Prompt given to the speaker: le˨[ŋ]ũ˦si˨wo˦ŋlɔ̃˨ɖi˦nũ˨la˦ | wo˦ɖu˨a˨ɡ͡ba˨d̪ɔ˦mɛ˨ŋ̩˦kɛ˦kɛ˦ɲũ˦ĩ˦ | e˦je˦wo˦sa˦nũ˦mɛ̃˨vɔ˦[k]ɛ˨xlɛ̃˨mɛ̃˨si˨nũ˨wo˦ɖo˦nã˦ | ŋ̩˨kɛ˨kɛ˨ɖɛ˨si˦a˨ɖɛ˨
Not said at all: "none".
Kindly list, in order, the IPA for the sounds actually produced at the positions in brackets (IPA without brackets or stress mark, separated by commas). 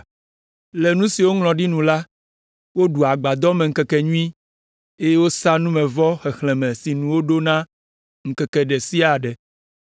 n, x